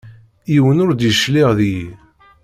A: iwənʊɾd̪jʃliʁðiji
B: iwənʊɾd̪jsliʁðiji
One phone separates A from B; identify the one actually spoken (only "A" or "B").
A